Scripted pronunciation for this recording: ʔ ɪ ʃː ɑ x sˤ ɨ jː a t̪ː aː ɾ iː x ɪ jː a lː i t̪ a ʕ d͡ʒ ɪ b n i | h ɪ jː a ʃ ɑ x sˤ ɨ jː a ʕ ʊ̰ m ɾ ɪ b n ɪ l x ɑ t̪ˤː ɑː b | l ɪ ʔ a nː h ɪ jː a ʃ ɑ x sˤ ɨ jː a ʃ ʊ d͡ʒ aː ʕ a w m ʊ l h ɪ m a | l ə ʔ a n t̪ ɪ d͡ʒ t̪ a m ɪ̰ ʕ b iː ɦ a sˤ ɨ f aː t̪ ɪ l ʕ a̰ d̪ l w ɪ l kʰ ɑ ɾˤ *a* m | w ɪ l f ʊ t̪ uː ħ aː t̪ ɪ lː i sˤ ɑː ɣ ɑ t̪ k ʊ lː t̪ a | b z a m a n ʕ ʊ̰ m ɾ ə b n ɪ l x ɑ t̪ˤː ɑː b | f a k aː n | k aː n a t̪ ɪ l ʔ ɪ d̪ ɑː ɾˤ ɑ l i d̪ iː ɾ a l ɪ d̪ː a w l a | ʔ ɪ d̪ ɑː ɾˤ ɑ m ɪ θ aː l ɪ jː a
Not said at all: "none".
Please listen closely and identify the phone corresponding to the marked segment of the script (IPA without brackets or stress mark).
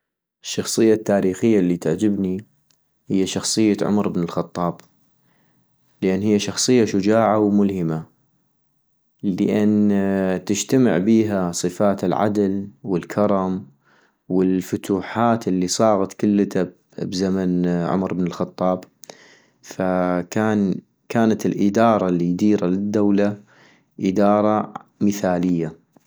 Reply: ɑ